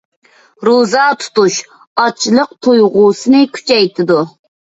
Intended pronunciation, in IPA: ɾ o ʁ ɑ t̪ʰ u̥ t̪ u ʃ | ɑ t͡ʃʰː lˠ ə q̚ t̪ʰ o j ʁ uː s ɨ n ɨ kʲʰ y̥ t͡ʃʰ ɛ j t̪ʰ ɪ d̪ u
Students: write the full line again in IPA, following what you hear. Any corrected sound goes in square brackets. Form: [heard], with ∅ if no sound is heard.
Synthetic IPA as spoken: ɾ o [z] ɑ t̪ʰ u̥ t̪ u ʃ | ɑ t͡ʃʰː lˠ ə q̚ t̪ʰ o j ʁ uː s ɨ n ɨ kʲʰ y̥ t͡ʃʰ ɛ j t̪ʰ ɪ d̪ u